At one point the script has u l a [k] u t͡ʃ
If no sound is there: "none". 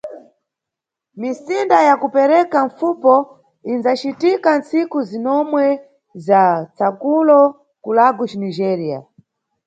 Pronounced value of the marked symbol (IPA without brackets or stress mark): ɡ